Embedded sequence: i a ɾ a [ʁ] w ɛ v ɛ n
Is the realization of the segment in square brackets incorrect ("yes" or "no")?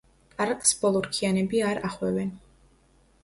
yes